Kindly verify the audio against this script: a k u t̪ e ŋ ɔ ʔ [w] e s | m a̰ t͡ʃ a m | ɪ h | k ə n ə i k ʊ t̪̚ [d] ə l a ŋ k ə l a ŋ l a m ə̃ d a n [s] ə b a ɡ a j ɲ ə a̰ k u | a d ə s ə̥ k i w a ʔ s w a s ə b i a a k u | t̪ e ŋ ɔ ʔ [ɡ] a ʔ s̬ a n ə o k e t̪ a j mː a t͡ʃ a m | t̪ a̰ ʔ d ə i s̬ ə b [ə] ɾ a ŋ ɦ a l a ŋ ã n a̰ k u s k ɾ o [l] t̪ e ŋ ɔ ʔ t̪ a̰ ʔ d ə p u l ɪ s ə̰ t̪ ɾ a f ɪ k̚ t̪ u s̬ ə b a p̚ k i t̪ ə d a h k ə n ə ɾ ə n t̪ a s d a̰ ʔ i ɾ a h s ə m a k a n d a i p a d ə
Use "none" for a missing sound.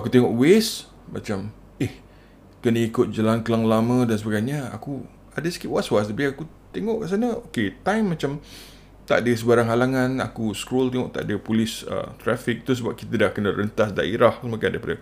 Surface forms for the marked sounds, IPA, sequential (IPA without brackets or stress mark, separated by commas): w, d͡ʒ, s, k, a, l